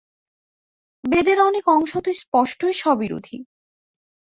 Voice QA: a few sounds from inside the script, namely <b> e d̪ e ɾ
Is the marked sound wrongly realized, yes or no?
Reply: no